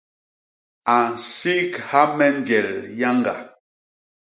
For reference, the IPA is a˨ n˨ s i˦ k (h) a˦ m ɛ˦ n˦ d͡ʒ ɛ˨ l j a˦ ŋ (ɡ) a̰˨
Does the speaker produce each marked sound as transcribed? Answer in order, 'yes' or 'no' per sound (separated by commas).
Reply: yes, yes